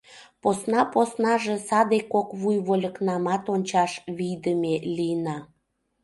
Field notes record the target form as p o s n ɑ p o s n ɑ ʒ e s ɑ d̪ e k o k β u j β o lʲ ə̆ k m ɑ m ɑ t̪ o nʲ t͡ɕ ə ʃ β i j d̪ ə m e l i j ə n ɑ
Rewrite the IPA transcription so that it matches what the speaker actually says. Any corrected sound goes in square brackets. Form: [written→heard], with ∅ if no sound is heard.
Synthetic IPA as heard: p o s n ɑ p o s n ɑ ʒ e s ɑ d̪ e k o k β u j β o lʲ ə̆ k [m→n] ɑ m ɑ t̪ o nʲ t͡ɕ [ə→ɑ] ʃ β i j d̪ ə m e l i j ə n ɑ